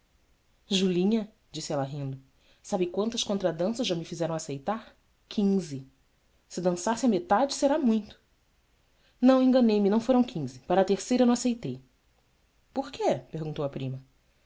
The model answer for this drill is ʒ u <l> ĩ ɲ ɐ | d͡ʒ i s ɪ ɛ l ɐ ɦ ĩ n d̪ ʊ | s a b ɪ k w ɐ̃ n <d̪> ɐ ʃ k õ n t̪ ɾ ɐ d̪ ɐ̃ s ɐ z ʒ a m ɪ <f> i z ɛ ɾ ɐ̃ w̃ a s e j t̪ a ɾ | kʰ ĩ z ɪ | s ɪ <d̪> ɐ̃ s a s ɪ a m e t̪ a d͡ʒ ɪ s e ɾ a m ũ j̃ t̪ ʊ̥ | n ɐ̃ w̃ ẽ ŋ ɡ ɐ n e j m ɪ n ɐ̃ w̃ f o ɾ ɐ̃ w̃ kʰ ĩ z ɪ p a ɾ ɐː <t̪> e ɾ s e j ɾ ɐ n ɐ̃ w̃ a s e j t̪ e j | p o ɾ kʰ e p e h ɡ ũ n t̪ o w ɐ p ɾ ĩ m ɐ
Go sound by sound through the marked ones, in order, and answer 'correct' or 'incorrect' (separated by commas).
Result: correct, incorrect, correct, correct, correct